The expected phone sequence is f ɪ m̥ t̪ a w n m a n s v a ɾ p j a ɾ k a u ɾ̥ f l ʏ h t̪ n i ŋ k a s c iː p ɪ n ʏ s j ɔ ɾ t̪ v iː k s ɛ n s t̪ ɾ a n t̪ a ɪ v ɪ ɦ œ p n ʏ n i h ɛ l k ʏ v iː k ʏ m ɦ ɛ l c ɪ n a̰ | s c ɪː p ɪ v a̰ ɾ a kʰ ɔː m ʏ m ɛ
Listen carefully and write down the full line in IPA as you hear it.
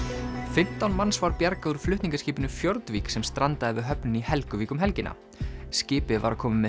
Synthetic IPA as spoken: f ɪ m̥ t̪ a w n m a n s v a ɾ p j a ɾ k a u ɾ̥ f l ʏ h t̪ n i ŋ k a s c iː p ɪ n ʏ f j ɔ ɾ t̪ v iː k s ɛ m s t̪ ɾ a n t̪ a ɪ v ɪ ɦ œ p n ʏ n i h ɛ l k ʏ v iː k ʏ m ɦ ɛ l c ɪ n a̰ | s c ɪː p ɪ v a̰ ɾ a kʰ ɔː m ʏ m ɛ

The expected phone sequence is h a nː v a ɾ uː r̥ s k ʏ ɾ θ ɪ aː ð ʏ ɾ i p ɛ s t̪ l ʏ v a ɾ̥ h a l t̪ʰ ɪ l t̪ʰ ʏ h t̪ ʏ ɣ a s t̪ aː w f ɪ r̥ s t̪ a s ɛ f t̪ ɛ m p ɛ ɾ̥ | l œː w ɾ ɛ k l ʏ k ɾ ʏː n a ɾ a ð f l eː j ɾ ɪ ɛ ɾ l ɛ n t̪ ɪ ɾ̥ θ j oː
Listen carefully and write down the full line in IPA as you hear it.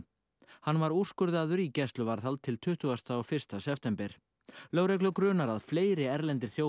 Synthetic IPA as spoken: h a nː v a ɾ u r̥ s k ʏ ɾ ð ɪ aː ð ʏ ɾ i c ɛ s t̪ l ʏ v a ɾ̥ θ a l t̪ʰ ɪ l t̪ʰ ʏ h t̪ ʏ ɣ a s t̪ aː w f ɪ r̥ s t̪ a s ɛ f t̪ ɛ m p ɛ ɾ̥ | l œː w ɾ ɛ k l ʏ k ɾ ʏː n a ɾ a ð f l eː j ɾ ɪ ɛ ɾ l ɛ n t̪ ɪ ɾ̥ θ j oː

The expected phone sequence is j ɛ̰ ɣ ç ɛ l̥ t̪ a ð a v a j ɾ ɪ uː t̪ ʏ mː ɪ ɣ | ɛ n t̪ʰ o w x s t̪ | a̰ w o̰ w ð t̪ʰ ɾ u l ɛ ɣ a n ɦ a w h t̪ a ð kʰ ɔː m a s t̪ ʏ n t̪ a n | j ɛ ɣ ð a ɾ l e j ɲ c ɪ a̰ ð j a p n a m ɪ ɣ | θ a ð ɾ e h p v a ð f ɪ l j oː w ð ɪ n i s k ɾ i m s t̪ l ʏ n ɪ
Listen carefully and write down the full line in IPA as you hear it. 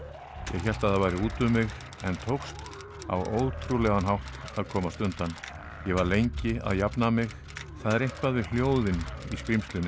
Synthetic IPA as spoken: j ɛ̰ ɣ ç ɛ l̥ t̪ a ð a v a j ɾ ɪ uː t̪ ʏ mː ɪ ɣ | ɛ n t̪ʰ o w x s t̪ | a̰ w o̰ w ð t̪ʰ ɾ u l ɛ ɣ a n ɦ a w h t̪ a ð kʰ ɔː m a s t̪ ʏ n t̪ a n | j ɛ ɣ v a ɾ l e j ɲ c ɪ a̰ ð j a p n a m ɪ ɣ | θ a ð ɾ e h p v a ð v ɪ l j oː w ð ɪ n i s k ɾ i m s t̪ l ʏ n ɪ

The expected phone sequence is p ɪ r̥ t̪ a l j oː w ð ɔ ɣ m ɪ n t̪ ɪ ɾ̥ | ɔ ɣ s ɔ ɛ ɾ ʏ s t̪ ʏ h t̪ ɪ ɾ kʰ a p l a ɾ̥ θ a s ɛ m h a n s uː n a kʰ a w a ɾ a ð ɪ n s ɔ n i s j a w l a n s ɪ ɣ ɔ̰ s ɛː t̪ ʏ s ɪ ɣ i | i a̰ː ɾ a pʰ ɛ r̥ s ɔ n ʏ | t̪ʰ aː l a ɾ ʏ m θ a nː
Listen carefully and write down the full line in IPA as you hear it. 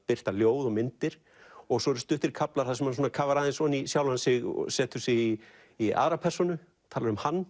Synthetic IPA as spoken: p ɪ r̥ t̪ a l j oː w ð ɔ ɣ m ɪ n t̪ ɪ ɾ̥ | ɔ ɣ s ɔ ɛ ɾ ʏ s t̪ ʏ h t̪ ɪ ɾ kʰ a p l a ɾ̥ θ a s ɛ m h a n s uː n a kʰ a v a ɾ a ð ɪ n s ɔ n i s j a w l a n s ɪ ɣ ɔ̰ s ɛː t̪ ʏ s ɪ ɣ i | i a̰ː ɾ a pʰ ɛ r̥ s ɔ n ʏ | t̪ʰ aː l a ɾ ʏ m h a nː

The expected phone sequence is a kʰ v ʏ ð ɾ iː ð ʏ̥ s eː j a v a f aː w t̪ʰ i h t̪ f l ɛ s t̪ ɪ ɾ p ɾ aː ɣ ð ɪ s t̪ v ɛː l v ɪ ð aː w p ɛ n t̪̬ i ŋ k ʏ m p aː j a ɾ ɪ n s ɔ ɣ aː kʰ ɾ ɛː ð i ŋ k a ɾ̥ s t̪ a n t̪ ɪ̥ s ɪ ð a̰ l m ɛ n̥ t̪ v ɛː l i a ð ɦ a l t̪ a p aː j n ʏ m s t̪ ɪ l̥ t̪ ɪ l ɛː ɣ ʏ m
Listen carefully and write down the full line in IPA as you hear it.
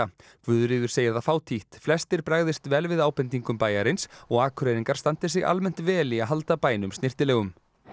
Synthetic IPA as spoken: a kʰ v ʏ ð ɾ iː ð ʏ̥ s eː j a ð a f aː w t̪ʰ i h t̪ f l ɛ s t̪ ɪ ɾ p ɾ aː ɣ ð ɪ s t̪ v ɛː l v ɪ ð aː w p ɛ n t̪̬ i ŋ k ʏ m p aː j a ɾ ɪ n s ɔ ɣ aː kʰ ɾ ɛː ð i ŋ k a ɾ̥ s t̪ a n t̪ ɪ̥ s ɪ ɣ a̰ l m ɛ n̥ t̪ v ɛː l i a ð ɦ a l t̪ a p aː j n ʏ m s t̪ ɪ r̥ t̪ ɪ l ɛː ɣ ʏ m

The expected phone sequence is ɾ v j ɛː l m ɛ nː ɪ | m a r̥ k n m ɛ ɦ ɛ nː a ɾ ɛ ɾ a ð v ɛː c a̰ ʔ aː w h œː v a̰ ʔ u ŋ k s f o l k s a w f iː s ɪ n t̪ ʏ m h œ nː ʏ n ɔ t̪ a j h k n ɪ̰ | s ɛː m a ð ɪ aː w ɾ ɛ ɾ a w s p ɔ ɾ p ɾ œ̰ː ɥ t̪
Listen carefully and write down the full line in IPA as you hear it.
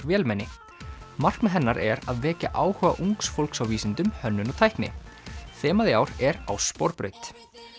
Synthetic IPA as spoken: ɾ v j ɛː l m ɛ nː ɪ | m a r̥ k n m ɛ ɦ ɛ nː a ɾ ɛ ɾ a ð v ɛː c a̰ ʔ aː w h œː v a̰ ʔ u ŋ k s f o l k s a w v iː s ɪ n t̪ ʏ m h œ nː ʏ n ɔ t̪ʰ a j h k n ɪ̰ | θ ɛː m a ð ɪ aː w ɾ ɛ ɾ a w s p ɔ ɾ p ɾ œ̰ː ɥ t̪

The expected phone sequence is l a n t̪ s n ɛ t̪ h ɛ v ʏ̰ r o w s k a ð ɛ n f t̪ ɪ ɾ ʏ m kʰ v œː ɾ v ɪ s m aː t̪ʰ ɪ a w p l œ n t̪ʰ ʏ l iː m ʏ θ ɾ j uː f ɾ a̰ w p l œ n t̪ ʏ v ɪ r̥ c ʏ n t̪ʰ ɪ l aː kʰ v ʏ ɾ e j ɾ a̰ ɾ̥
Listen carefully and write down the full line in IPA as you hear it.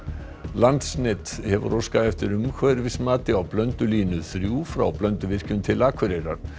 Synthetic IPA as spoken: l a n t̪ s n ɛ t̪ h ɛ v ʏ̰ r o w s k a ð ɛ f t̪ ɪ ɾ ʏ m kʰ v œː ɾ v ɪ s m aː t̪ ɪ a w p l œ n t̪ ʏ l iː n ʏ θ ɾ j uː f ɾ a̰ w p l œ n t̪ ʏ v ɪ r̥ c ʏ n t̪ʰ ɪ l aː kʰ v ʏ ɾ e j ɾ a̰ ɾ̥

